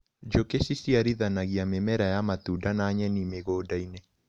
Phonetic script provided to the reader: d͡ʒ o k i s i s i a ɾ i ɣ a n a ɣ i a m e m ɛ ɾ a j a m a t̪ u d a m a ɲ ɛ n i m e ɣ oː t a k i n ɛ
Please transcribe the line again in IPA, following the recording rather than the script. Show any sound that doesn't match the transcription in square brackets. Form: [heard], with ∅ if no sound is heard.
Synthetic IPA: d͡ʒ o k [e] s i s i a ɾ i [ð] a n a ɣ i a m e m ɛ ɾ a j a m a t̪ u d a [n] a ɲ ɛ n i m e ɣ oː [d] a [∅] i n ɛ